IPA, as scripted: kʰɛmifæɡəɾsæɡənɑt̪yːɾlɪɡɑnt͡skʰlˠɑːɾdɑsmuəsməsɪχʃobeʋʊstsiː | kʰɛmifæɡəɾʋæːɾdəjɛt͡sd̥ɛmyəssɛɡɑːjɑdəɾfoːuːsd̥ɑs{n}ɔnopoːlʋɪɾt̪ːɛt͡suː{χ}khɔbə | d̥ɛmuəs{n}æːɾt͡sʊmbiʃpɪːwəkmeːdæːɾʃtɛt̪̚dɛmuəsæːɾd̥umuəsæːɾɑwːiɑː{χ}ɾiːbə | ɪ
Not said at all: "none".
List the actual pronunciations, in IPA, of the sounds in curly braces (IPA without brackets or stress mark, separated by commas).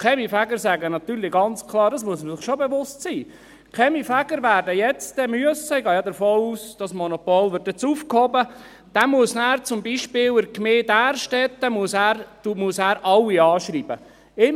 m, f, n, ʃ